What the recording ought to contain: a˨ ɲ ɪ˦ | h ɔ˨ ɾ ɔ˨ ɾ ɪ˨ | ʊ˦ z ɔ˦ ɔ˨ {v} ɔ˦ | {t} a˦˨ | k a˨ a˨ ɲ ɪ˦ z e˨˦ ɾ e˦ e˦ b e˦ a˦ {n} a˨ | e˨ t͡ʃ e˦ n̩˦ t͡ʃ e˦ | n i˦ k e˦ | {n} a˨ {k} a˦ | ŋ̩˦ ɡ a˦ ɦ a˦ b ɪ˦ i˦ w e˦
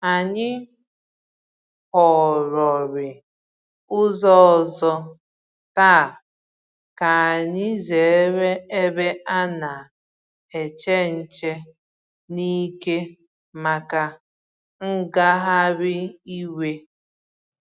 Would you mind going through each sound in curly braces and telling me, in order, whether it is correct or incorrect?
incorrect: z, correct, correct, incorrect: m, correct

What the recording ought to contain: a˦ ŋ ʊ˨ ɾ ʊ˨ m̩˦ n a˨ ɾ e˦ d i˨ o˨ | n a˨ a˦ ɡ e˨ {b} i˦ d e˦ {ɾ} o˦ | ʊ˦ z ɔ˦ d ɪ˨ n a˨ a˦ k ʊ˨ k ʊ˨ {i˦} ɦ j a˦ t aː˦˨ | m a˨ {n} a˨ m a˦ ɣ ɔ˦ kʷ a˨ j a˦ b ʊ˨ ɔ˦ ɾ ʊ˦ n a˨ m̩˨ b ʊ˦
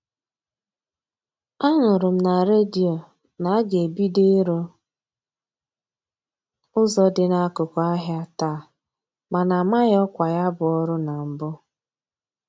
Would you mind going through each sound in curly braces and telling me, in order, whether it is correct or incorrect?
correct, correct, incorrect: a˦, correct

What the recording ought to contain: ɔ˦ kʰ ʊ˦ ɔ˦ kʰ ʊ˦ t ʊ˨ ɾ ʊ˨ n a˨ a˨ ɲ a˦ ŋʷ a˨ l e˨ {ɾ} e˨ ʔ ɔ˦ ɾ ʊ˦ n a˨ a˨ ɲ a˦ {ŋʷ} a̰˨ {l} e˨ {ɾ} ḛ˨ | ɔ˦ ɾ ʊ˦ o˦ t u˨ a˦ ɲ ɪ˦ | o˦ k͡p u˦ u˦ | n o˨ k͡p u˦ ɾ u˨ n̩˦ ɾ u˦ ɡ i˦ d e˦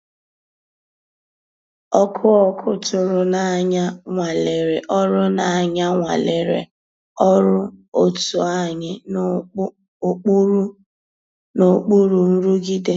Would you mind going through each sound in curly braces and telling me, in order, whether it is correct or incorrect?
correct, correct, correct, correct

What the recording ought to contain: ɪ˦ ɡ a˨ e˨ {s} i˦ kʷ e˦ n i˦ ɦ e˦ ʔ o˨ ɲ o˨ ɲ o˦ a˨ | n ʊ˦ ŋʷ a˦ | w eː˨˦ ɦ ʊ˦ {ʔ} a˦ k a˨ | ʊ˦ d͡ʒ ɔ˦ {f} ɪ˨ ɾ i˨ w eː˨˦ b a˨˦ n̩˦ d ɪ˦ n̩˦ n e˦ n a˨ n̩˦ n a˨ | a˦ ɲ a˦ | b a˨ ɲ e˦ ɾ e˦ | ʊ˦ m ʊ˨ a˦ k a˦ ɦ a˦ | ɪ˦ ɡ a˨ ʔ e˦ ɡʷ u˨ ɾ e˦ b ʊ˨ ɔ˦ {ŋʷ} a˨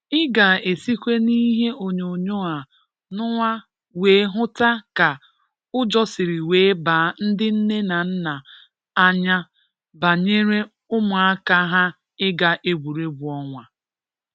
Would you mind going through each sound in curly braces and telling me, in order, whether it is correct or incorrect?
correct, incorrect: t, incorrect: s, correct

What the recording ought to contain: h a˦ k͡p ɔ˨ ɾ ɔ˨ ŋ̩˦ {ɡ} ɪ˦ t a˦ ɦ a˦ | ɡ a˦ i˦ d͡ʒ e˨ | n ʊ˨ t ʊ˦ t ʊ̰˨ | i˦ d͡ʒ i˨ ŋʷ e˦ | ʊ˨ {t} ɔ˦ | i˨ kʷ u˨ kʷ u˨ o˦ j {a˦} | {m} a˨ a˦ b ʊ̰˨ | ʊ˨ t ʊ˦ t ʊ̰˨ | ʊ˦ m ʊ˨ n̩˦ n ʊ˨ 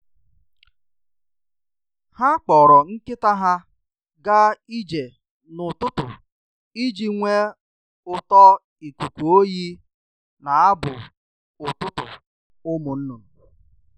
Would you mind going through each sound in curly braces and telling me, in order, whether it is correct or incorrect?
incorrect: k, correct, incorrect: i˦, incorrect: n

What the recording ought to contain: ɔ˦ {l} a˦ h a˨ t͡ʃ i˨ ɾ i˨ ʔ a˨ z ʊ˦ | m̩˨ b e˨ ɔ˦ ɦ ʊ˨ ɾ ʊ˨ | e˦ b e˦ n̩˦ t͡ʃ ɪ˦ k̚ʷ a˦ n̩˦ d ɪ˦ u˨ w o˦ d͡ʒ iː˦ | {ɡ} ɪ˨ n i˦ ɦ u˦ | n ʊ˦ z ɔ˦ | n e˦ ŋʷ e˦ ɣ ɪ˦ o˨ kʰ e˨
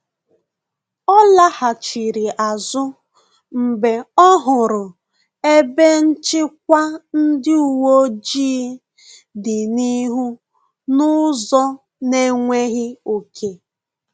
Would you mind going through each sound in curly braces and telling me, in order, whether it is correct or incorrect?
correct, incorrect: d

